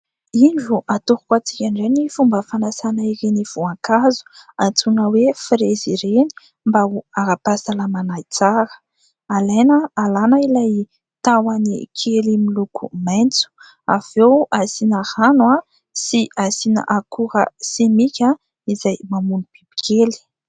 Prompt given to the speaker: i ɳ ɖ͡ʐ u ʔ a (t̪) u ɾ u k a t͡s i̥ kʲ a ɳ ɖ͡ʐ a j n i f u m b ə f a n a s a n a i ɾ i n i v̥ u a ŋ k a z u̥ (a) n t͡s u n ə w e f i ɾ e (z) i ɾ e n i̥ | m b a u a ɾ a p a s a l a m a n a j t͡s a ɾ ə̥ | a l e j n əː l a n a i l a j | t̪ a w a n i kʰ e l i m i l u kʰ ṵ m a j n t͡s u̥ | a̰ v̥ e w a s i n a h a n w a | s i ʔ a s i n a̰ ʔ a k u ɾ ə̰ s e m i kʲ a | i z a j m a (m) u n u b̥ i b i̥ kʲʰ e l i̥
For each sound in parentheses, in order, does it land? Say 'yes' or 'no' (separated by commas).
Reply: yes, yes, yes, yes